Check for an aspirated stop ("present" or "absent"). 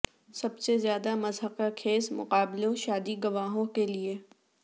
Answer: present